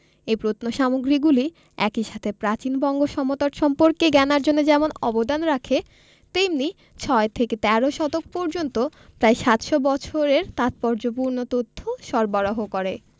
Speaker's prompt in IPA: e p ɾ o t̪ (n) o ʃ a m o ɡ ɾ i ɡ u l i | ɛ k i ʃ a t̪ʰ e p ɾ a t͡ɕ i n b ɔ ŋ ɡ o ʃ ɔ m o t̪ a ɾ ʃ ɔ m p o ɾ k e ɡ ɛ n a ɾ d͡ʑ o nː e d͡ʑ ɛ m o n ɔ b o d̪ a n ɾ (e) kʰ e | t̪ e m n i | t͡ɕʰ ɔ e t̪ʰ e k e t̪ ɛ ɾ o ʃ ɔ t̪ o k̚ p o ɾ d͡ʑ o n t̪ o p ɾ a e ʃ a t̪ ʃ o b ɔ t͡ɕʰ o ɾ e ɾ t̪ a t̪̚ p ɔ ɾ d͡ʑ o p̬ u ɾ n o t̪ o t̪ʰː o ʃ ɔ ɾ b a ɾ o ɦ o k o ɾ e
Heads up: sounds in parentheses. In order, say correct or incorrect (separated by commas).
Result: correct, incorrect